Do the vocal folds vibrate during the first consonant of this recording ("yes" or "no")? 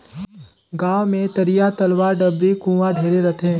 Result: yes